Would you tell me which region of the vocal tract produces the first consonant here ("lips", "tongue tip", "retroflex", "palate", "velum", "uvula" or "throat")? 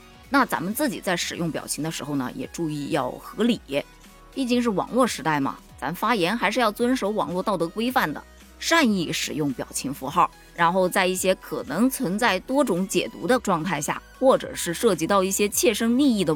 tongue tip